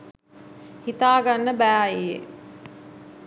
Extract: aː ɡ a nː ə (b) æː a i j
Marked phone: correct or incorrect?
correct